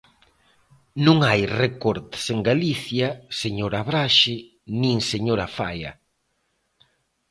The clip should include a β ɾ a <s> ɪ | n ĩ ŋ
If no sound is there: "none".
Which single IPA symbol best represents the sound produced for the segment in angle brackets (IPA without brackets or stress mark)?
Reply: ʃ